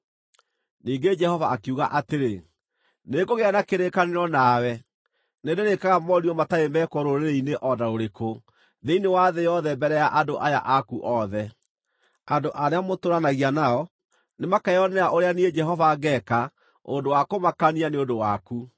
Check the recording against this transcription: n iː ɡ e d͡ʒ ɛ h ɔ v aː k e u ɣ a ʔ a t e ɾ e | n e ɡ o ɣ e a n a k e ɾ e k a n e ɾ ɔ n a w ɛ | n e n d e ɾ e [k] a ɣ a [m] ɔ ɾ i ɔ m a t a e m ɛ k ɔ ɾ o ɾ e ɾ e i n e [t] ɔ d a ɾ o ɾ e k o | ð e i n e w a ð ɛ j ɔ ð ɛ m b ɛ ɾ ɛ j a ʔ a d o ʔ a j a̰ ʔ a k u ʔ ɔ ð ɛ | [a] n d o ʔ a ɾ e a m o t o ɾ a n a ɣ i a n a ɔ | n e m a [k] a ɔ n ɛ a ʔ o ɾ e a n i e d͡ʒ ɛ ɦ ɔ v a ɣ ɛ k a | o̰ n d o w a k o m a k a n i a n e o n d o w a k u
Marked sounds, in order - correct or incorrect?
correct, correct, incorrect, correct, correct

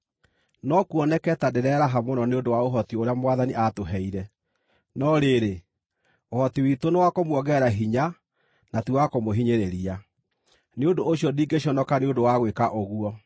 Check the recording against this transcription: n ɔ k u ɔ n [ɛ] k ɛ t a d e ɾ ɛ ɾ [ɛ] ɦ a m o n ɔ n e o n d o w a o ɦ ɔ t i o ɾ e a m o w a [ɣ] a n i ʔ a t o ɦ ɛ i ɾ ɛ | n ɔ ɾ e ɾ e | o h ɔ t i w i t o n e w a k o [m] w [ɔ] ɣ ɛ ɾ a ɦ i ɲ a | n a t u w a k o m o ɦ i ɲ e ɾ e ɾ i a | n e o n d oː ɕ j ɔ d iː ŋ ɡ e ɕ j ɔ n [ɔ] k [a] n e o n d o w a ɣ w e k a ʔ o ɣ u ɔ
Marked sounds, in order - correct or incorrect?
correct, incorrect, incorrect, correct, correct, correct, correct

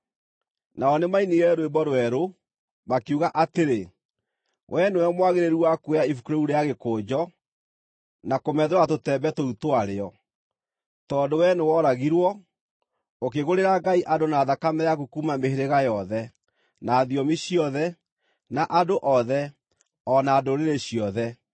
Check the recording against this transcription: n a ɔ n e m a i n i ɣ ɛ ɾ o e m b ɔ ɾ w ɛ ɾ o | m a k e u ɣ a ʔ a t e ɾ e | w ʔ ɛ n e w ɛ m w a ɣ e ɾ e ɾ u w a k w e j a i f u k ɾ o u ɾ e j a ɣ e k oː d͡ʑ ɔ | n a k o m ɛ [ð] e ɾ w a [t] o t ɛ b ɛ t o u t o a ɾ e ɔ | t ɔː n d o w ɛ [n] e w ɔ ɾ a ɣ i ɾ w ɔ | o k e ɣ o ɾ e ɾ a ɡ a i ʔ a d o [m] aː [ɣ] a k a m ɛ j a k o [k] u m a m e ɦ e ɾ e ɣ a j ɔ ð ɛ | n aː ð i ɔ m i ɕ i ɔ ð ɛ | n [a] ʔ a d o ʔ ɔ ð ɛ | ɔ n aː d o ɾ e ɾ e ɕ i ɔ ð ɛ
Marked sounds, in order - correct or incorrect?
correct, correct, correct, incorrect, incorrect, correct, correct

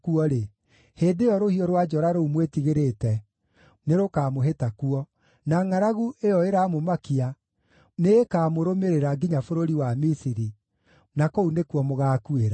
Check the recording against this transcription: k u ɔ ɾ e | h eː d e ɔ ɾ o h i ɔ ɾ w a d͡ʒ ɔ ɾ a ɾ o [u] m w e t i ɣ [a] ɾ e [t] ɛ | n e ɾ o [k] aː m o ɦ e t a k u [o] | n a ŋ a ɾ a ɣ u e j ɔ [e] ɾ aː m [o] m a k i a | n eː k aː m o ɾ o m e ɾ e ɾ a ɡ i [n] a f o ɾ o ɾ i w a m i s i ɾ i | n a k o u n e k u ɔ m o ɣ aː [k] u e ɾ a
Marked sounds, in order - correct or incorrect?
correct, incorrect, correct, correct, incorrect, correct, correct, incorrect, correct

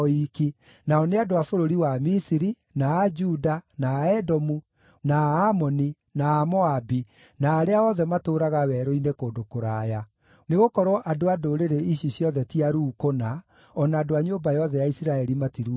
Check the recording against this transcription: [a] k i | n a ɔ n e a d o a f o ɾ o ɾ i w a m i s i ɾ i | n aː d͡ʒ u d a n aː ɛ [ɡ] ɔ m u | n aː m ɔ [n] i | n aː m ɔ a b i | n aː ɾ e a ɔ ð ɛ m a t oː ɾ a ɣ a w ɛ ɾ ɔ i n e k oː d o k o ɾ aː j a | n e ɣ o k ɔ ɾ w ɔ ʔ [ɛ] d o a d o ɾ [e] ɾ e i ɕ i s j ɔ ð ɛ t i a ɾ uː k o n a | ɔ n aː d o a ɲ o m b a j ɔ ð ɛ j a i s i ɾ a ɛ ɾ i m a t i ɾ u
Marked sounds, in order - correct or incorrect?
incorrect, incorrect, correct, incorrect, correct

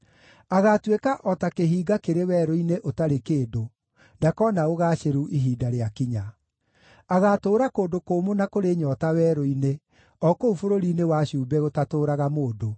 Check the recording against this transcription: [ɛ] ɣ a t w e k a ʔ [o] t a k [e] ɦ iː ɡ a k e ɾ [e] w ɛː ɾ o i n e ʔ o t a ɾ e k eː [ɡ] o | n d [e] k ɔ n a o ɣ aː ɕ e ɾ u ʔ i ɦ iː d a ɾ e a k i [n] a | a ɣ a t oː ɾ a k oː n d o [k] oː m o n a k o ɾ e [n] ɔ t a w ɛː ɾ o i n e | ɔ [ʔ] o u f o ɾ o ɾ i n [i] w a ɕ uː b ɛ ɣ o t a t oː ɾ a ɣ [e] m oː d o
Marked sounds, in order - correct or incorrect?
incorrect, incorrect, correct, correct, incorrect, incorrect, incorrect, correct, incorrect, incorrect, incorrect, incorrect

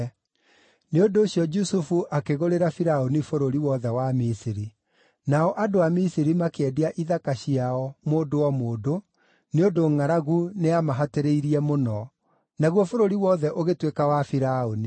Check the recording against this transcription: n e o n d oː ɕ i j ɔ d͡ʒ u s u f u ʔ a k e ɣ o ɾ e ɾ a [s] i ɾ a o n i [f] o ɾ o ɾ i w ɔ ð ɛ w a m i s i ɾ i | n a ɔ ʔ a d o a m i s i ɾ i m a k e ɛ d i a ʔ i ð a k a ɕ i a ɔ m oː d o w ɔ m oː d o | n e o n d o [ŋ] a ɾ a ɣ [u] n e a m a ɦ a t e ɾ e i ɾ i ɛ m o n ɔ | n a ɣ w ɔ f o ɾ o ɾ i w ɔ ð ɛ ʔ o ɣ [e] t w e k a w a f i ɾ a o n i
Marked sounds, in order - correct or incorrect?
incorrect, correct, correct, correct, correct

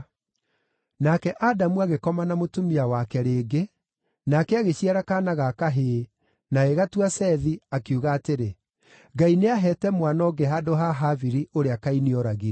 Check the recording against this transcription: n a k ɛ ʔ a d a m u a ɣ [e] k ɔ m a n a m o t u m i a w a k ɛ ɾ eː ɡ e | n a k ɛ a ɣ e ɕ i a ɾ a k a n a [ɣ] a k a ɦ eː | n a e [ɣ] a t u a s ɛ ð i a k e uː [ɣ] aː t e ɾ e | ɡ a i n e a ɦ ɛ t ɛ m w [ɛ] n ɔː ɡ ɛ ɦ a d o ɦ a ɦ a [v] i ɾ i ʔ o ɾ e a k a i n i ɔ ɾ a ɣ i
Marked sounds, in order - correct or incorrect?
correct, correct, correct, correct, incorrect, correct

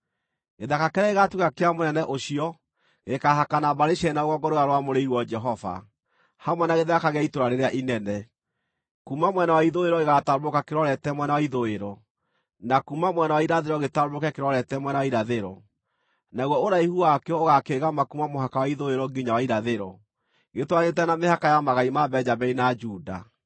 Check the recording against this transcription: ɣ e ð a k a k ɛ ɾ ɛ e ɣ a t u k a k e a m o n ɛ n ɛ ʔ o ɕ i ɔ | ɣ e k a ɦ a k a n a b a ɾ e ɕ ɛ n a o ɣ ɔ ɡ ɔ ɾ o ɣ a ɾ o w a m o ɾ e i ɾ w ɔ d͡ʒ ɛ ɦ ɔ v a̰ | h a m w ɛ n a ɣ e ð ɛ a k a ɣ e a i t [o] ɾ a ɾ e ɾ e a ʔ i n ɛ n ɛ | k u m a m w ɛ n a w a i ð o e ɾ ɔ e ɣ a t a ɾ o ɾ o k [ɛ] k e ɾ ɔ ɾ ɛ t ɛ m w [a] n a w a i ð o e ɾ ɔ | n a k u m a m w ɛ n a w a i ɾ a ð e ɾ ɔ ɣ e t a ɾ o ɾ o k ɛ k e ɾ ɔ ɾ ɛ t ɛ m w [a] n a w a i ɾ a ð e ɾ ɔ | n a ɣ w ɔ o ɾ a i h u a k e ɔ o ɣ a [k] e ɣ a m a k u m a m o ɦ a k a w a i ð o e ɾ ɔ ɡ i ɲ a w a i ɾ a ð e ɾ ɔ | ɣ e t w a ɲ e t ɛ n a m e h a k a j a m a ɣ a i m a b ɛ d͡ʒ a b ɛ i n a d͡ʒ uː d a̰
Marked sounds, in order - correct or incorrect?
correct, incorrect, incorrect, incorrect, correct

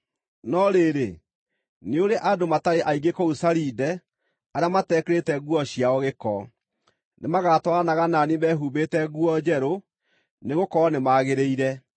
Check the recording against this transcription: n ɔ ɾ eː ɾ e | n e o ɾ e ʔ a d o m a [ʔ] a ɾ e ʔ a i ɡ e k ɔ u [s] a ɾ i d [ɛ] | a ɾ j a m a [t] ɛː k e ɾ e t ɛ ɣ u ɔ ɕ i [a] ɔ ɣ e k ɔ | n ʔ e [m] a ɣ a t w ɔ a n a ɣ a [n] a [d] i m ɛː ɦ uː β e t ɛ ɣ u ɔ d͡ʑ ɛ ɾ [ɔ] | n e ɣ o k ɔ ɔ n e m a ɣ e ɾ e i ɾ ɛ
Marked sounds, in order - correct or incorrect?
incorrect, correct, correct, correct, correct, correct, correct, incorrect, incorrect

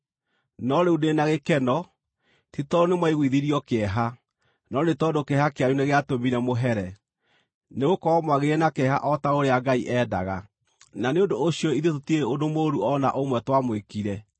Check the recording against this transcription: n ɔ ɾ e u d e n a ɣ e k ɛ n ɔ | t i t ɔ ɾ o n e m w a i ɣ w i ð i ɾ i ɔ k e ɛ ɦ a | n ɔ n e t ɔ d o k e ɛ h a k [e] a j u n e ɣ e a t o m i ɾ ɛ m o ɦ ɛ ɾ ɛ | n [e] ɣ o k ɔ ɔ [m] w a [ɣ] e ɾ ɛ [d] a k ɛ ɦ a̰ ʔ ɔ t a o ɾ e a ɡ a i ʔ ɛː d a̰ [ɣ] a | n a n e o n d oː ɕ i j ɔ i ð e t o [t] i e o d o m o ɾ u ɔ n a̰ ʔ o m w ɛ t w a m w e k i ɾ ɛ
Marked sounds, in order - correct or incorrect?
correct, correct, correct, correct, incorrect, correct, correct

